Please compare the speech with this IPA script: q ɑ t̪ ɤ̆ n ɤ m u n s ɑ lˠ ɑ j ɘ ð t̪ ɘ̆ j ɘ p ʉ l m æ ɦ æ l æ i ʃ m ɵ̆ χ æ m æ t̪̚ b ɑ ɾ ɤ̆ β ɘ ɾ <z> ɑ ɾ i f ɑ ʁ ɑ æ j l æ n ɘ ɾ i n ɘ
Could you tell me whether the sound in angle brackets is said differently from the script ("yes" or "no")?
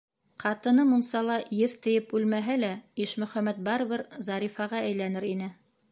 no